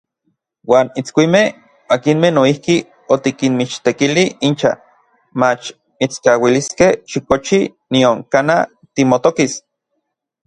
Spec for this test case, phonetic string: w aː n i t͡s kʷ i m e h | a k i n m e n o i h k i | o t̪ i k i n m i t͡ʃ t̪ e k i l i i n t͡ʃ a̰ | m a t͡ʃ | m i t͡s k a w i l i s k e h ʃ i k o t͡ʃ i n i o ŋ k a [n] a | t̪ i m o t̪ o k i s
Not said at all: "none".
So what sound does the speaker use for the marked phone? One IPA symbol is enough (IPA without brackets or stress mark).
n